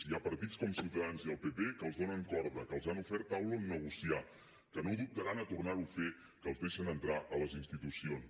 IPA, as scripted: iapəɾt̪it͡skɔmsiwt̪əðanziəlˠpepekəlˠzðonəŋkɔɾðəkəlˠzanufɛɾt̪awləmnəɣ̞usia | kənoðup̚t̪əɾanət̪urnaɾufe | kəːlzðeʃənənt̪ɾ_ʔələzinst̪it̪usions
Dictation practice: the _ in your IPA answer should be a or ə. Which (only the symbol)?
a